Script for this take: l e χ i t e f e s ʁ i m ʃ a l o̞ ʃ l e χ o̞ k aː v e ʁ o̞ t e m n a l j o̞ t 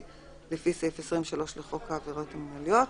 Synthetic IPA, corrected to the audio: l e f i s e f e s ʁ i m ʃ a l o̞ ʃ l e χ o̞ k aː v e ʁ o̞ t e m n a l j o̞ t